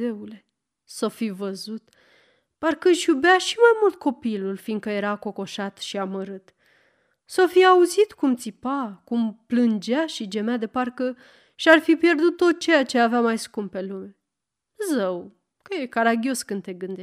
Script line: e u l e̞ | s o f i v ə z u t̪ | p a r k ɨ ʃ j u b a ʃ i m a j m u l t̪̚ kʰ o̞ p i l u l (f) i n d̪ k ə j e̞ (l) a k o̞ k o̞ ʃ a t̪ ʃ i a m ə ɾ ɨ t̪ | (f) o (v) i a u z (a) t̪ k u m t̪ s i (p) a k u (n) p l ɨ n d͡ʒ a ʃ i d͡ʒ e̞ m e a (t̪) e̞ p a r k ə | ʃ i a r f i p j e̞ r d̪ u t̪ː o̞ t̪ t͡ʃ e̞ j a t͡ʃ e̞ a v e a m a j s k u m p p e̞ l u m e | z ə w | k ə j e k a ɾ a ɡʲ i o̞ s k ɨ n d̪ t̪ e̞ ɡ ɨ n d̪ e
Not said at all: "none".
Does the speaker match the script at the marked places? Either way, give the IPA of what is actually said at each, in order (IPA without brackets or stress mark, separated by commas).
f, ɾ, s, f, i, p, m, d̪